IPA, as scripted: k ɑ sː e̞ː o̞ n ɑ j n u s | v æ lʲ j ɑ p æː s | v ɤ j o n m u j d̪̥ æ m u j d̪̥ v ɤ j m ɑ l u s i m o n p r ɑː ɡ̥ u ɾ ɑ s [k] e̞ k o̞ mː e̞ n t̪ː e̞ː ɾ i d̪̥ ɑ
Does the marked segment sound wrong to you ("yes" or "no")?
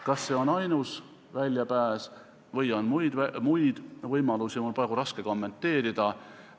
no